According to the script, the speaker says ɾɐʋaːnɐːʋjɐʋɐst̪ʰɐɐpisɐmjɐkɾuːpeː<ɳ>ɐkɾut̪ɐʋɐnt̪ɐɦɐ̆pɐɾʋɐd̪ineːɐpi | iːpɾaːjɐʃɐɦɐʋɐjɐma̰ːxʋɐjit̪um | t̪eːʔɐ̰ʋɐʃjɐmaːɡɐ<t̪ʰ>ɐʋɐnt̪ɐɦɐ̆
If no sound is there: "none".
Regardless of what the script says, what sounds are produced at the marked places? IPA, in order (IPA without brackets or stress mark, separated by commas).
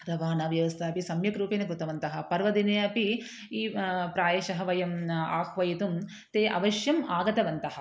n, t̪